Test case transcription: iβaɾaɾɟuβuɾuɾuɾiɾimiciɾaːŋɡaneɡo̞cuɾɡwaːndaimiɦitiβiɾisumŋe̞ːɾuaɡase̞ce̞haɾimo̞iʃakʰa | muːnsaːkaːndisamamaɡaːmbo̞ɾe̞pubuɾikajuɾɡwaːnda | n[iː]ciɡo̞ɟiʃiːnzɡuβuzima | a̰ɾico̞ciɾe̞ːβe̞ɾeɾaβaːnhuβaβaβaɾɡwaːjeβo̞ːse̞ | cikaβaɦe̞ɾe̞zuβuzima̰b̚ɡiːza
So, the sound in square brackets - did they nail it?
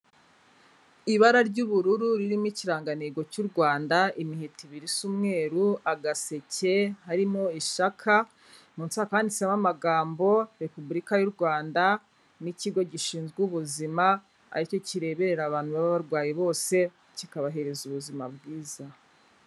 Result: no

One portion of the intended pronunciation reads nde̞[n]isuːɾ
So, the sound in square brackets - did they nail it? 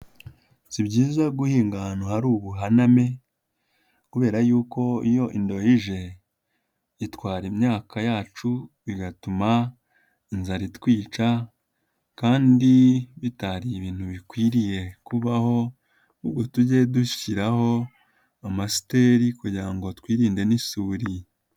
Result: yes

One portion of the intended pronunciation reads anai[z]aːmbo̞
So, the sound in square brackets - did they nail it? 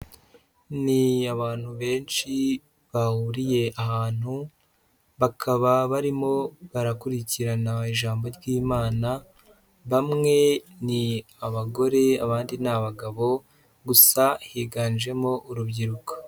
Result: no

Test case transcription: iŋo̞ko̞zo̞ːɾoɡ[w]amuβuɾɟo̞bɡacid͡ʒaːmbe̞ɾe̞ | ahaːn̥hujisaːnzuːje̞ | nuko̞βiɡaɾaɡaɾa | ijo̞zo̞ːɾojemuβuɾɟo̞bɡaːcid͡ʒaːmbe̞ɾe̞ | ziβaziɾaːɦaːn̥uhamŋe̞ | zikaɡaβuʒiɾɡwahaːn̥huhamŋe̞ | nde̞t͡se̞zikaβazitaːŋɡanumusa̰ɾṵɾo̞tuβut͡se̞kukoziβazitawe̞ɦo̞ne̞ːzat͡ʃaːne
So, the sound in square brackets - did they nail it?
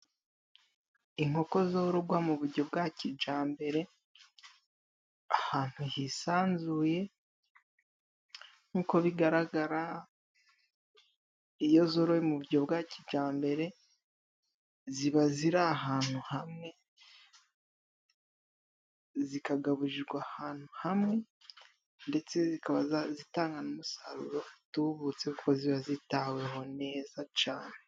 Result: yes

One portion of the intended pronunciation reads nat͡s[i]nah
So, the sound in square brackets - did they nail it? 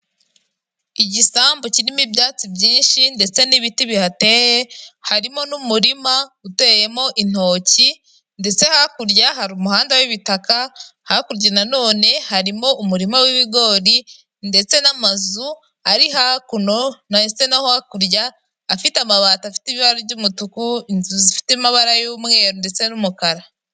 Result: no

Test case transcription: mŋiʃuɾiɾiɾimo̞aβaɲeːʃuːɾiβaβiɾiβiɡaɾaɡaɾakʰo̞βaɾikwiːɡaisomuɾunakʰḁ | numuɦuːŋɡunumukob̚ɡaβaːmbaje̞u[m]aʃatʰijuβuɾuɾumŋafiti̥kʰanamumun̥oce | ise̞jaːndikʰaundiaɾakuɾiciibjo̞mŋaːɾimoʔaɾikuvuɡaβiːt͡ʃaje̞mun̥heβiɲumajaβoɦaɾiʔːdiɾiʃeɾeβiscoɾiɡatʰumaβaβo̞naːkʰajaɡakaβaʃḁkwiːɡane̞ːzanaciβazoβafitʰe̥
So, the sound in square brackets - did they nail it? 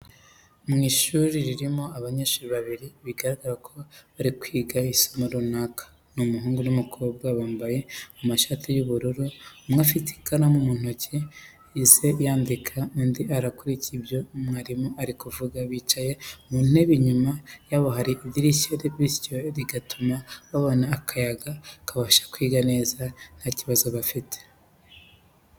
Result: yes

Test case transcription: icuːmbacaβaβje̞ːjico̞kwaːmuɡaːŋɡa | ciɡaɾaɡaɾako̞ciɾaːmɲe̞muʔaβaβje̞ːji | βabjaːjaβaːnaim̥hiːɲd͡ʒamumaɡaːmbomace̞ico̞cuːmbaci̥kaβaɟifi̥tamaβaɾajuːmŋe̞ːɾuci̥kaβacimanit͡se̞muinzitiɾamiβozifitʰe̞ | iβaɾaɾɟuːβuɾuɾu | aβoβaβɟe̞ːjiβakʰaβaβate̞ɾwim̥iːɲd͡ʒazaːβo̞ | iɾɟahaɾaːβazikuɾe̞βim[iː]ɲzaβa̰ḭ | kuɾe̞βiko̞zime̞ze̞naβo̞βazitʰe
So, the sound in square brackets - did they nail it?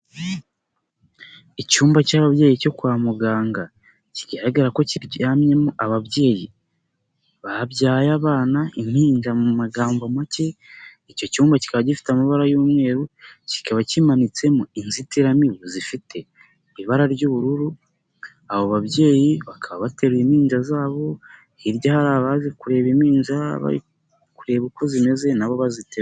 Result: yes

